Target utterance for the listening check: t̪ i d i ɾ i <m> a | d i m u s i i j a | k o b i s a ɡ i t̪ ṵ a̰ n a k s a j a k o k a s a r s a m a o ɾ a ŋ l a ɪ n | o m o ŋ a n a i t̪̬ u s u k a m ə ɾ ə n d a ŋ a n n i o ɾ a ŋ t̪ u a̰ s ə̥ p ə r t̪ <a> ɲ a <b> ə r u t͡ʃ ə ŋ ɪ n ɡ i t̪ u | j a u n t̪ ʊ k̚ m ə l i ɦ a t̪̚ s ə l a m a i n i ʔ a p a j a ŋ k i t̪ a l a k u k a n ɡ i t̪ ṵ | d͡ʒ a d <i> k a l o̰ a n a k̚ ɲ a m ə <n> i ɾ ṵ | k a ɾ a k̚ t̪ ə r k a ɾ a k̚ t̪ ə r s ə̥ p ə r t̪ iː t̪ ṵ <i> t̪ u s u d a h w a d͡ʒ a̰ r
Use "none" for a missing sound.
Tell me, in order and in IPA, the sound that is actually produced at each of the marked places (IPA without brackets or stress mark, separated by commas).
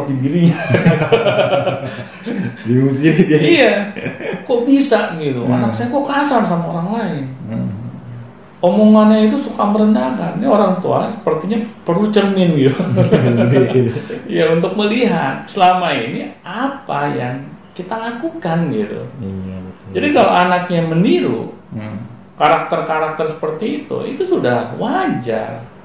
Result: ɲ, i, p, i, n, i